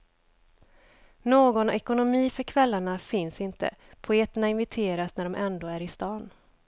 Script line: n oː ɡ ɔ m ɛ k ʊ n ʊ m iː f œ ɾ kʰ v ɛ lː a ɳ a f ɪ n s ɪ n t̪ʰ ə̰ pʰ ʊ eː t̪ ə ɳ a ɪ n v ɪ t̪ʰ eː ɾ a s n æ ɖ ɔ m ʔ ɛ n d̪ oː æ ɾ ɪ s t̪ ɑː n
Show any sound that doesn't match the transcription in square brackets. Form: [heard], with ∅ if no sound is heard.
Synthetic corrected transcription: n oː ɡ ɔ [n] ɛ k ʊ n ʊ m iː f œ ɾ kʰ v ɛ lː a ɳ a f ɪ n s ɪ n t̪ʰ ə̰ pʰ ʊ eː t̪ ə ɳ a ɪ n v ɪ t̪ʰ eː ɾ a s n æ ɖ ɔ m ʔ ɛ n d̪ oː æ ɾ ɪ s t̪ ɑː n